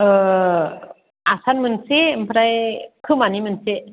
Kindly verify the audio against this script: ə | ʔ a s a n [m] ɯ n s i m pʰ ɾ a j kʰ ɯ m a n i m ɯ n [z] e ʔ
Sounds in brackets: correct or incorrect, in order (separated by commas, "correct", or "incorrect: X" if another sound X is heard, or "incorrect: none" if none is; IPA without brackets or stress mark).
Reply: correct, incorrect: s